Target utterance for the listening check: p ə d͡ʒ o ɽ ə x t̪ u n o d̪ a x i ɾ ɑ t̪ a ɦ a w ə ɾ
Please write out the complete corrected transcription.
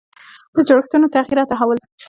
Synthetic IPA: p ə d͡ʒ o ɽ ə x t̪ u n o t̪ a ɣ i ɾ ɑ t̪ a ɦ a w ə l

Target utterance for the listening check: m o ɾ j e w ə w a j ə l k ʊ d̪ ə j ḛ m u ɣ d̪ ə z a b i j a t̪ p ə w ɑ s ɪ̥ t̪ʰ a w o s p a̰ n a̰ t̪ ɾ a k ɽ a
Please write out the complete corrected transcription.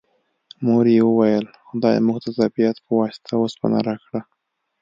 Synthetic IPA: m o ɾ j e w ə w a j ə l x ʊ d̪ ɑ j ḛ m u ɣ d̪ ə z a b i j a t̪ p ə w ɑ s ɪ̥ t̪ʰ a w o s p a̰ n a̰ ɾ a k ɽ a

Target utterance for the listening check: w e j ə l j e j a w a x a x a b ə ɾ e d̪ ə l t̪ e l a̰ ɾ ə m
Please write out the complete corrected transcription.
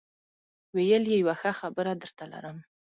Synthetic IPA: w e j ə l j e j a w a x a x a b ə ɾ a d̪ ə ɾ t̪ a l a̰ ɾ ə m

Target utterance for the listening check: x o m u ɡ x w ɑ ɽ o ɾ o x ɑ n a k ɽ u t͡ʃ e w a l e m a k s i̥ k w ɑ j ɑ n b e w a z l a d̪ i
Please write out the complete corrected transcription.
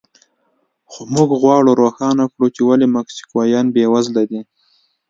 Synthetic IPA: x o m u ɡ ɣ w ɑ ɽ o ɾ o x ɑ n a k ɽ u t͡ʃ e w a l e m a k s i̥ k w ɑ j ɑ n b e w a z l a d̪ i

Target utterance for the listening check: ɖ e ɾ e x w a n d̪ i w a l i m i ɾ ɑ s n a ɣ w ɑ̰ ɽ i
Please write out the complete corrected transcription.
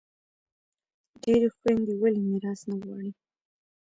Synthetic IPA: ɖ e ɾ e x w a n d̪ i w a l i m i ɾ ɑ s n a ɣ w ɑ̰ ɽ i

